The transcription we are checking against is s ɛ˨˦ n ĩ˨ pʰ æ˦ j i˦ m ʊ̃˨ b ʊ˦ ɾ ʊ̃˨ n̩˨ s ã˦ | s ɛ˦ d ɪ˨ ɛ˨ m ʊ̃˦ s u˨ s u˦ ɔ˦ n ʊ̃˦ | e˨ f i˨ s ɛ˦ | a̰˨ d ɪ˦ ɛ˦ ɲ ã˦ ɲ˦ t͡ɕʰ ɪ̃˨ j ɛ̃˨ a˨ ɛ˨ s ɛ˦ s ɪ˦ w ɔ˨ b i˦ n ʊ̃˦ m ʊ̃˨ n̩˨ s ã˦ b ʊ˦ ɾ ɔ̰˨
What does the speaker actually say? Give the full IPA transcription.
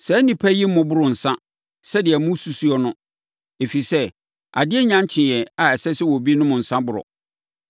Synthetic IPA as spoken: s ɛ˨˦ n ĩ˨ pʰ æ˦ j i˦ m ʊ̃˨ b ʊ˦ ɾ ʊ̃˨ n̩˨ s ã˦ | s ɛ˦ d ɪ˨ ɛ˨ m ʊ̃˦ s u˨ s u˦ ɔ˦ n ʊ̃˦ | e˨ f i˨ s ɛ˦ | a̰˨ d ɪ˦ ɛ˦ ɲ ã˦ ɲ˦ t͡ɕʰ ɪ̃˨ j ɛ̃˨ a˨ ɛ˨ s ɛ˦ s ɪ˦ w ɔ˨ b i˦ n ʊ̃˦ m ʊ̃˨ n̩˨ s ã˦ b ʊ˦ ɾ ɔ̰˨